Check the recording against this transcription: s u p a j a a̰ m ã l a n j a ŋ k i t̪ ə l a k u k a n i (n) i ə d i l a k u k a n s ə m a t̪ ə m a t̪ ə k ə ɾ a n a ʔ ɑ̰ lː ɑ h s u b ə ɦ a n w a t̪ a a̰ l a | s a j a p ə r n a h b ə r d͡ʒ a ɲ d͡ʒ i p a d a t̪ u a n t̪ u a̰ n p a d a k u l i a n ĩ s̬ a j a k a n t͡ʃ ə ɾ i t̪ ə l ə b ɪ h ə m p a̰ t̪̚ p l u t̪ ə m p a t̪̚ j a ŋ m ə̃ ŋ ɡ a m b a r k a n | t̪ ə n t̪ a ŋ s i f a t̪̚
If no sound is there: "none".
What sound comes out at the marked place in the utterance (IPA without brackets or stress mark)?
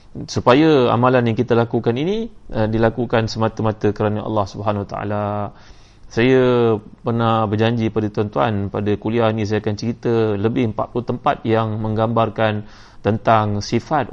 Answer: n